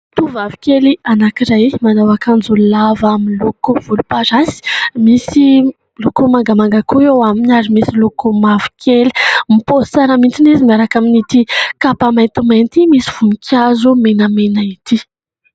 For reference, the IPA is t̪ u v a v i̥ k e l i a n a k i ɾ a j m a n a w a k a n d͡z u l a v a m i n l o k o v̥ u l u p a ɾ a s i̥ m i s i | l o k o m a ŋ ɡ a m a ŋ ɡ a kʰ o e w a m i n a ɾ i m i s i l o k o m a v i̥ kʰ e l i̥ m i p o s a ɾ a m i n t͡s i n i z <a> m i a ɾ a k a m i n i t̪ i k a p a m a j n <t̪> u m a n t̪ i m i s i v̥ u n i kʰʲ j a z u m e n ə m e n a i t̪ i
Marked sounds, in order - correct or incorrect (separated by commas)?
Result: incorrect, correct